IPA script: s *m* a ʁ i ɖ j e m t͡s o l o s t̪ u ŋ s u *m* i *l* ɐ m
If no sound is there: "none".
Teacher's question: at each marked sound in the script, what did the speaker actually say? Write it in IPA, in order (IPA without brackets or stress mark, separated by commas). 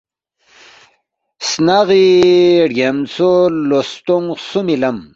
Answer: n, m, l